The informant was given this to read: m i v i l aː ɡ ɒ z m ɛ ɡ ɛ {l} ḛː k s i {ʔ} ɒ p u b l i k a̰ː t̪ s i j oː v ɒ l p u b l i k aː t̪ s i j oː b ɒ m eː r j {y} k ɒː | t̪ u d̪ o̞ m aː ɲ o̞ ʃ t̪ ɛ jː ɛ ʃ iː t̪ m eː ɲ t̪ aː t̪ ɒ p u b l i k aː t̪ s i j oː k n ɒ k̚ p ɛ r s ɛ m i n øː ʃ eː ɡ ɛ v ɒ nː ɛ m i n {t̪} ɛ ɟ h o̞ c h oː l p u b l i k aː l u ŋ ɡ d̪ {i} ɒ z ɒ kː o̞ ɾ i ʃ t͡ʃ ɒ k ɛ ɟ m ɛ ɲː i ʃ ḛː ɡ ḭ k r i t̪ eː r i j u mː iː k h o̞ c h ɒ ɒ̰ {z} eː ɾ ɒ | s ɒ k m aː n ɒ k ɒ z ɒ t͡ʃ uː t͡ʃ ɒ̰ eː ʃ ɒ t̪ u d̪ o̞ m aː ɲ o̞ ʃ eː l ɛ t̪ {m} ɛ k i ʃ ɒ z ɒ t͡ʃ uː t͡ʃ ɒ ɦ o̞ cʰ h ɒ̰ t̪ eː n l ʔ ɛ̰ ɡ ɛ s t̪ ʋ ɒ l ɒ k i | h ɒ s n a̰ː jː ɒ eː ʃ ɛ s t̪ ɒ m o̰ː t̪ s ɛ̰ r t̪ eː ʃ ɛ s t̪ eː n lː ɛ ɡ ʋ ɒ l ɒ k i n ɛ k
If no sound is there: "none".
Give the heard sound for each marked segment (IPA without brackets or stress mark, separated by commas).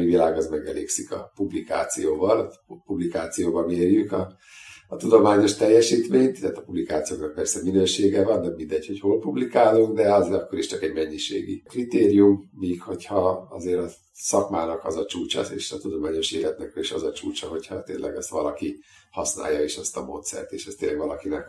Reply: l, k, y, d̪, ɛ, z, n